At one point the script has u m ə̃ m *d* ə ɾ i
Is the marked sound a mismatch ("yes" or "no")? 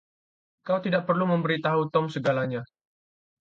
yes